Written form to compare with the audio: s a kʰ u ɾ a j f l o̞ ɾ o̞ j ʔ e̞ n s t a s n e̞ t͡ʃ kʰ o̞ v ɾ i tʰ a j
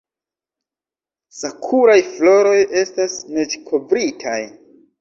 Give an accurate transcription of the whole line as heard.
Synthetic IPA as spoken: s a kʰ u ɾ a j f l o̞ ɾ o̞ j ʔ e̞ s t a s n e̞ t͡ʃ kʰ o̞ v ɾ i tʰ a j